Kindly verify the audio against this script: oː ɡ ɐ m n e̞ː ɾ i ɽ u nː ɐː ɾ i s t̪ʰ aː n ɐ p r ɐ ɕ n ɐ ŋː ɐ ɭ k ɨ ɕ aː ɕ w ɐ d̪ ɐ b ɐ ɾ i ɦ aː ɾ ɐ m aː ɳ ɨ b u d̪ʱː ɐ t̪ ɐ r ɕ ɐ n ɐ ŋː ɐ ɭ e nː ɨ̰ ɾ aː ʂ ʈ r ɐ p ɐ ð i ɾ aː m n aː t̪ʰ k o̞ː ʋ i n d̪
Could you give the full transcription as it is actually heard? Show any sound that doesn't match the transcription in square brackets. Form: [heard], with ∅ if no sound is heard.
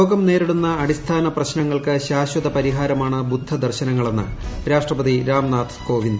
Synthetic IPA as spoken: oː ɡ ɐ m n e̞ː ɾ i ɽ u nː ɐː [ɽ] i s t̪ʰ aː n ɐ p r ɐ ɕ n ɐ ŋː ɐ ɭ k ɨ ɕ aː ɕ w ɐ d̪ ɐ [p] ɐ ɾ i ɦ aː ɾ ɐ m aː ɳ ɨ b u d̪ʱː ɐ [d̪] ɐ r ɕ ɐ n ɐ ŋː ɐ ɭ e nː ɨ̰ ɾ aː ʂ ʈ r ɐ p ɐ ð i ɾ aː m n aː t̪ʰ k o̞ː ʋ i n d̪

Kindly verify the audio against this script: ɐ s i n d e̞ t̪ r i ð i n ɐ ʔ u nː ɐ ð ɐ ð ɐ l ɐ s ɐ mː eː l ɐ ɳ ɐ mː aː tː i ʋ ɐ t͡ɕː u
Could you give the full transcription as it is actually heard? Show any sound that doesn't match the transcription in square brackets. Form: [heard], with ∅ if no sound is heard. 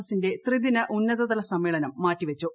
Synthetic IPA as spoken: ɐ s i n d e̞ t̪ r i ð i n ɐ ʔ u nː ɐ ð ɐ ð ɐ l ɐ s ɐ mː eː [ɭ] ɐ [n] ɐ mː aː tː i ʋ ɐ t͡ɕː u

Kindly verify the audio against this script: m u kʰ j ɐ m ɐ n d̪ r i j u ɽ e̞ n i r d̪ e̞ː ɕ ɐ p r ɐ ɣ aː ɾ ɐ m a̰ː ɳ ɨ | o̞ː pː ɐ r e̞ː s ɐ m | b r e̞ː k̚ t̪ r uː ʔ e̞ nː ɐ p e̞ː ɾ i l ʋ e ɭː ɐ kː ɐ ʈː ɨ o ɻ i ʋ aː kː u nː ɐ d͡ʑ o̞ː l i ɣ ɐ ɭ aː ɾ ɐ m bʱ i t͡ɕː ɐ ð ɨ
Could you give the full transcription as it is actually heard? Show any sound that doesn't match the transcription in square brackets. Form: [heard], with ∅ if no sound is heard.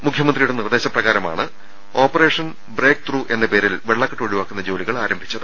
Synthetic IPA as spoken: m u kʰ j ɐ m ɐ n d̪ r i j u ɽ e̞ n i r d̪ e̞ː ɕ ɐ p r ɐ ɣ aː ɾ ɐ m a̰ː ɳ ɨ | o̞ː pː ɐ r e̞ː [ʂ] ɐ [n] | b r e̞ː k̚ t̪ r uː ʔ e̞ nː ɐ p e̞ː ɾ i l ʋ e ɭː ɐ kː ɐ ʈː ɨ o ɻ i ʋ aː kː u nː ɐ d͡ʑ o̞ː l i ɣ ɐ ɭ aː ɾ ɐ m bʱ i t͡ɕː ɐ ð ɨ

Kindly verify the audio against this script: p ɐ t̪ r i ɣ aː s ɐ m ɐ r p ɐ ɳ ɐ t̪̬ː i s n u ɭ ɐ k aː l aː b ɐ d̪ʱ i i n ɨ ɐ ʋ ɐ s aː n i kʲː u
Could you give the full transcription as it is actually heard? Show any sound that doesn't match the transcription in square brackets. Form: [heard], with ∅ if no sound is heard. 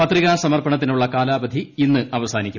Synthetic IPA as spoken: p ɐ t̪ r i ɣ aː s ɐ m ɐ r p ɐ ɳ ɐ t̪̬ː i [∅] n u [ɭː] ɐ k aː l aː b ɐ d̪ʱ i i [nː] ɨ ɐ ʋ ɐ s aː n i kʲː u

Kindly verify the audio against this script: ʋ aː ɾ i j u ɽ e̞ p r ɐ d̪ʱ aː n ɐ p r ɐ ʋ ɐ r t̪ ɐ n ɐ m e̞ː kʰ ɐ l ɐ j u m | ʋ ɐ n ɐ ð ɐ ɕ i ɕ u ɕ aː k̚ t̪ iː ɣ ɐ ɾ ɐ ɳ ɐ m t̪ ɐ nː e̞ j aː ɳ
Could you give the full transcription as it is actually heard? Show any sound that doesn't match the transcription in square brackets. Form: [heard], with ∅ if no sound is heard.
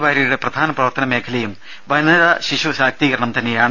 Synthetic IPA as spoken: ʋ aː ɾ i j u ɽ e̞ p r ɐ d̪ʱ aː n ɐ p r ɐ ʋ ɐ r t̪ ɐ n ɐ m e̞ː kʰ ɐ l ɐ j u m | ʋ ɐ n ɐ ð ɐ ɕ i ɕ u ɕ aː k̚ t̪ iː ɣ ɐ ɾ ɐ ɳ ɐ m t̪ ɐ nː e̞ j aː ɳ

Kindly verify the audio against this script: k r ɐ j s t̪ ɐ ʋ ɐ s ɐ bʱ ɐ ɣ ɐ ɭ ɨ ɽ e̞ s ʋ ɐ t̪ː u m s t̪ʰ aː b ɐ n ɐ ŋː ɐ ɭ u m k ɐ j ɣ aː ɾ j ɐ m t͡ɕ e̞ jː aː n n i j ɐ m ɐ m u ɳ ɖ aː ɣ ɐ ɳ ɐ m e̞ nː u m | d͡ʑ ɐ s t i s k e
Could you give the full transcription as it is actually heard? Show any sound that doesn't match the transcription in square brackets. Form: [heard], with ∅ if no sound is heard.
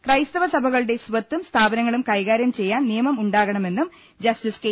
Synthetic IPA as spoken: k r ɐ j s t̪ ɐ ʋ ɐ s ɐ bʱ ɐ ɣ ɐ ɭ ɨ ɽ e̞ s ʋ ɐ t̪ː u m s t̪ʰ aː b ɐ n ɐ ŋː ɐ ɭ u m k ɐ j ɣ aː ɾ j ɐ m t͡ɕ e̞ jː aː n n i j ɐ m ɐ m u ɳ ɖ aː ɣ ɐ ɳ ɐ m e̞ nː u m | d͡ʑ ɐ s t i s k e

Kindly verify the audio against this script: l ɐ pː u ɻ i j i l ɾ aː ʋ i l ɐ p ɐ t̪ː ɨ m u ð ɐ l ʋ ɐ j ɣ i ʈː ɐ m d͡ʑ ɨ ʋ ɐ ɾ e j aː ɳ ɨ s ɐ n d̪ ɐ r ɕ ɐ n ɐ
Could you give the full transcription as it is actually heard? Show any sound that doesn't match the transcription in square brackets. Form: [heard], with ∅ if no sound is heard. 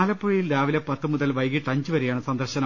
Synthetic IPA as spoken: l ɐ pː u ɻ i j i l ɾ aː ʋ i l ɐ p ɐ t̪ː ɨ m u ð ɐ l ʋ ɐ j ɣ i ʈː ɐ [ɲ] d͡ʑ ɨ ʋ ɐ ɾ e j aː ɳ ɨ s ɐ n d̪ ɐ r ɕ ɐ n ɐ

